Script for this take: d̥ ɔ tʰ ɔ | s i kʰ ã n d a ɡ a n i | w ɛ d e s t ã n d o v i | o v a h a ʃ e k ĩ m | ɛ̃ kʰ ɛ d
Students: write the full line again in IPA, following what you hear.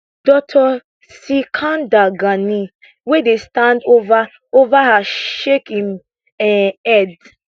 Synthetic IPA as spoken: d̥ ɔ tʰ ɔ | s i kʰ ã n d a ɡ a n i | w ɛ d e s t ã n d o v a | o v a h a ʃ e k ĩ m | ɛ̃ ɛ d